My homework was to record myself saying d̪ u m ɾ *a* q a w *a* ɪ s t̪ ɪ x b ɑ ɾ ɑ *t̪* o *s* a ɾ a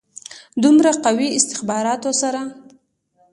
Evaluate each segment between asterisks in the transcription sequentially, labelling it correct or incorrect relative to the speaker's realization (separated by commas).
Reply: correct, incorrect, correct, correct